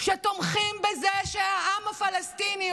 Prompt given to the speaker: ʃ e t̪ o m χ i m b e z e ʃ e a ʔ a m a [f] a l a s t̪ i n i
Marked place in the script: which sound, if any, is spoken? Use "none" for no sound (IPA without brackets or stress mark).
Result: f